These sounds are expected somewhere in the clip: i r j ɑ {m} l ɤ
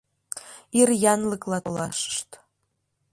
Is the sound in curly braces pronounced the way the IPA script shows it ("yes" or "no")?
no